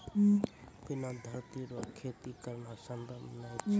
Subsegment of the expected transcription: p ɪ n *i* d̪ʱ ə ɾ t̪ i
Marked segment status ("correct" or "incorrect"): incorrect